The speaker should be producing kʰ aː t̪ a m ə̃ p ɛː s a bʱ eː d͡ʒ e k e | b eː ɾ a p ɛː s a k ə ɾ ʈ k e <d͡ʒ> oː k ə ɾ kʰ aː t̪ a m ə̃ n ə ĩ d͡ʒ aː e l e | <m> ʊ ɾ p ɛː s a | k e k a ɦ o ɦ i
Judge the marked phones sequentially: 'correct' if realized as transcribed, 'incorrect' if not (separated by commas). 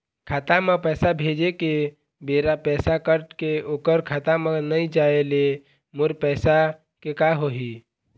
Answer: incorrect, correct